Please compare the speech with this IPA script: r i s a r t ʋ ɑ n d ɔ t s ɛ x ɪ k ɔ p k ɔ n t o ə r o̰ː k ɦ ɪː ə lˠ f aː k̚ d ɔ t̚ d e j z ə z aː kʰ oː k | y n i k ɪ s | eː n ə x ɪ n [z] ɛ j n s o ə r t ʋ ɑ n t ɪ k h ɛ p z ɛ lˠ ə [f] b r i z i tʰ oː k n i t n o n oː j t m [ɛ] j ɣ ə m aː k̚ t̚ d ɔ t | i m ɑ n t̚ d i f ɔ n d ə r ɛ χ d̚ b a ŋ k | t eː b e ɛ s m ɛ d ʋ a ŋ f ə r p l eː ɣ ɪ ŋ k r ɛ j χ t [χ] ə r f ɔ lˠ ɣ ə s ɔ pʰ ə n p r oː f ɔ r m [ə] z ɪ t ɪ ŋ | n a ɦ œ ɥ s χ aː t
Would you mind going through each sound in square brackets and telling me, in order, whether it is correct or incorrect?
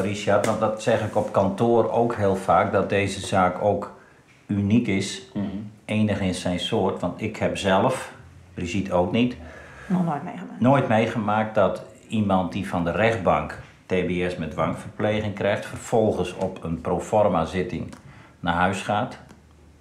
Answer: incorrect, correct, incorrect, incorrect, incorrect

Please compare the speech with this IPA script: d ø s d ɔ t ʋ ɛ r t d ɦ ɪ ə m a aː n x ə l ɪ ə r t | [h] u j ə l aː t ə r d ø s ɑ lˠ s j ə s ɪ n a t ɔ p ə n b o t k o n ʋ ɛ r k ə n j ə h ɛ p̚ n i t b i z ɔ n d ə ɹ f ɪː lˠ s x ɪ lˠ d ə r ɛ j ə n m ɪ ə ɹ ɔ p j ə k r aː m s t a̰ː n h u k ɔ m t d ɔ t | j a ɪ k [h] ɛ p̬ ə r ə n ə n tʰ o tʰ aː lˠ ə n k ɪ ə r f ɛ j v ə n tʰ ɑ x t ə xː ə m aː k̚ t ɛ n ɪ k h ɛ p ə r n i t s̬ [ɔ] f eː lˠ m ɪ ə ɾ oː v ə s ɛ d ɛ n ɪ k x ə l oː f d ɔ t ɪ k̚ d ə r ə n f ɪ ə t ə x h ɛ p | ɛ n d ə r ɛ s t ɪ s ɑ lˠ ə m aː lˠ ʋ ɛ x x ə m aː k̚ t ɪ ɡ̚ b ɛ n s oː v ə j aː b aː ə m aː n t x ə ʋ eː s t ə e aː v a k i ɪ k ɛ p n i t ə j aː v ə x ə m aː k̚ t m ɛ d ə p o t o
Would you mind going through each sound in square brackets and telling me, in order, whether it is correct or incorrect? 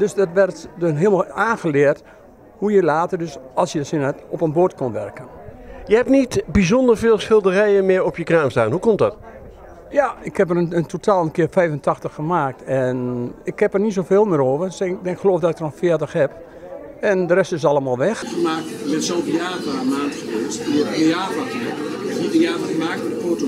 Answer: correct, correct, incorrect

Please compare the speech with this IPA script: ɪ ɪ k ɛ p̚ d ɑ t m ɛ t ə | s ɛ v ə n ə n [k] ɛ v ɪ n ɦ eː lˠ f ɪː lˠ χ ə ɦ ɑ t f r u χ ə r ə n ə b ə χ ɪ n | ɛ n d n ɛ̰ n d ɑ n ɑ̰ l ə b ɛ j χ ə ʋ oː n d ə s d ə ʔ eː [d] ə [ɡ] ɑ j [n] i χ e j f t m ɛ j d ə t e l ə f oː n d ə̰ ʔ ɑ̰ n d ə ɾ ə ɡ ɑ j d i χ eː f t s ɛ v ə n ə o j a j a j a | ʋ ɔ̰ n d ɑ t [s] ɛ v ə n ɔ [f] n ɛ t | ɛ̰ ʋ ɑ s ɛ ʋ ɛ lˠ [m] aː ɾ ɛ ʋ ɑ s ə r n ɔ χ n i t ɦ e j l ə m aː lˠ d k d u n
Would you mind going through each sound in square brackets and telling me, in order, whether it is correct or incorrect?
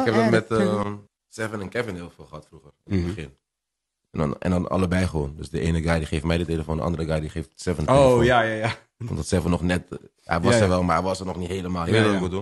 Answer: correct, incorrect, correct, incorrect, correct, incorrect, correct

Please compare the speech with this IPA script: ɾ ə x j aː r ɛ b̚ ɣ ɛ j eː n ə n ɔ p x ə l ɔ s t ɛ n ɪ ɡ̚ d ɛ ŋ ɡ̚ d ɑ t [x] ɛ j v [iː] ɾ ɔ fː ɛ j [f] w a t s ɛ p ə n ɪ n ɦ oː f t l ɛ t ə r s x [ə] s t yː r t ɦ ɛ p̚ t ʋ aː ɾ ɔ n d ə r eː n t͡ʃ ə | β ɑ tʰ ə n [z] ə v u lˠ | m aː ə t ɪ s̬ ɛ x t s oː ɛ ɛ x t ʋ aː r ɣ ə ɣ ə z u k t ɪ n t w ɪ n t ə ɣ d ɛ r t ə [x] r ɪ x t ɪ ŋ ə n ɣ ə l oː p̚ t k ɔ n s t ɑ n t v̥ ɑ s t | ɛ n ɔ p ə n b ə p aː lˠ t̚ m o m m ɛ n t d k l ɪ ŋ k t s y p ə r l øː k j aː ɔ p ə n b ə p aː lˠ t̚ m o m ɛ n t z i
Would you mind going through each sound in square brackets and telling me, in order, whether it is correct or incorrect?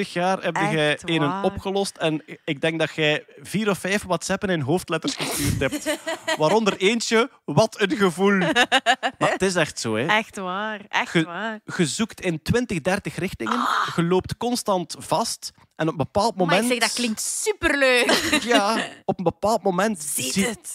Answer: correct, correct, correct, correct, incorrect, correct

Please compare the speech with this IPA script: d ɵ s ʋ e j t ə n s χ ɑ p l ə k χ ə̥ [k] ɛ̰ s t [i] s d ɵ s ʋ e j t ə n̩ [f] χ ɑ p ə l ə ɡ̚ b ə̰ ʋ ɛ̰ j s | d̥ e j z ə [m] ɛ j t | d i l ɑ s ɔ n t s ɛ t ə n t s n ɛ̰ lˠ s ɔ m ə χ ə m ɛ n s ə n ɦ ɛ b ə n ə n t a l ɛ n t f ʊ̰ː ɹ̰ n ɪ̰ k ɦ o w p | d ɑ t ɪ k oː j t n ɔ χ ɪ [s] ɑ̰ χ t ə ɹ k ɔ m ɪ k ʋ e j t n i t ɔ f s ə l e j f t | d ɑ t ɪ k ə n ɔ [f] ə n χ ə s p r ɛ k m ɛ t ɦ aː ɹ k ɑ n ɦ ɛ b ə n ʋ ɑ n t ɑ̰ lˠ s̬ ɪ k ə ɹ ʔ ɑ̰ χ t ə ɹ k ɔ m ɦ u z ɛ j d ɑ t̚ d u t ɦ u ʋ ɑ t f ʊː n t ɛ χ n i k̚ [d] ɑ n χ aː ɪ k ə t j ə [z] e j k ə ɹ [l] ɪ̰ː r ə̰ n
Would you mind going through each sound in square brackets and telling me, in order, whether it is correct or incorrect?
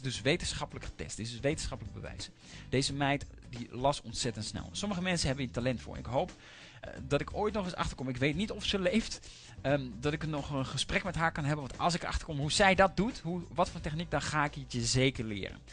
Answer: incorrect, incorrect, incorrect, correct, correct, incorrect, correct, correct, correct

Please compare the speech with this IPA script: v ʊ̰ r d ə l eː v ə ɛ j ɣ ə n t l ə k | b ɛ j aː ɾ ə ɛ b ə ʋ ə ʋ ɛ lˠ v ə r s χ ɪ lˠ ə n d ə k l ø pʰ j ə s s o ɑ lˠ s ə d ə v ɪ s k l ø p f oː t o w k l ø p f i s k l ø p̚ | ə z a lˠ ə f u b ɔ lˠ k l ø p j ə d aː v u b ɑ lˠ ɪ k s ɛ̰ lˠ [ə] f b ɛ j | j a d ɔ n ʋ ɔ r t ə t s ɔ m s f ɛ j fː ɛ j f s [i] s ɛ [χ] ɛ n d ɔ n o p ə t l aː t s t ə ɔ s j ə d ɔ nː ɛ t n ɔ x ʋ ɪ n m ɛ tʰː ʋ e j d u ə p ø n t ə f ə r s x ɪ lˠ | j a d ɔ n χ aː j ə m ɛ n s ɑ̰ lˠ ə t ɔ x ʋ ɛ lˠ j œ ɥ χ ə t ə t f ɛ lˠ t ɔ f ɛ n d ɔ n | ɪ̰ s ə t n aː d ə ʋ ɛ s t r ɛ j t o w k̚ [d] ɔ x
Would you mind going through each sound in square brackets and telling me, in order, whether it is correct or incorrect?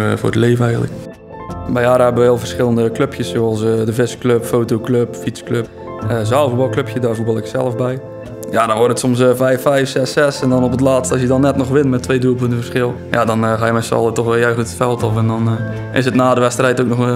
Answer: correct, incorrect, incorrect, incorrect

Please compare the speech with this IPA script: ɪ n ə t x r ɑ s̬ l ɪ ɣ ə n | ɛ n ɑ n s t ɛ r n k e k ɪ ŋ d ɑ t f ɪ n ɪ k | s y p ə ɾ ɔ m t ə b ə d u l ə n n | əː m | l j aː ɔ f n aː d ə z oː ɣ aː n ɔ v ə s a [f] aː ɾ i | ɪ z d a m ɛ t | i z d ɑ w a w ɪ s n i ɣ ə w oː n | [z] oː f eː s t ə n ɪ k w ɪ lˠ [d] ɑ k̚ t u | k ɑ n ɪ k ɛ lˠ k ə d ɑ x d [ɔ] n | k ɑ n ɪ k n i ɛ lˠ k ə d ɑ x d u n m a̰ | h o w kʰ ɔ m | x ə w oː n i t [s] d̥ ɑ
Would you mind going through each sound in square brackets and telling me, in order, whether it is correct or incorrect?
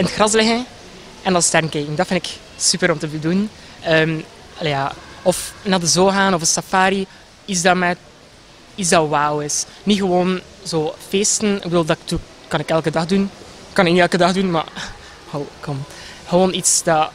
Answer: correct, correct, correct, incorrect, correct

